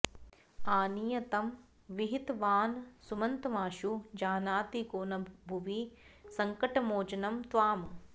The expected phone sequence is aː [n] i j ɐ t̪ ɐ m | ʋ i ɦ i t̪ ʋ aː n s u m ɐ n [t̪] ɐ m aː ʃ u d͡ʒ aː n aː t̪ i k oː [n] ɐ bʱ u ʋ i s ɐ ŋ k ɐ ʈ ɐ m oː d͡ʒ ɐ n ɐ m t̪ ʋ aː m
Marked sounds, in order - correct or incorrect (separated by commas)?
correct, correct, correct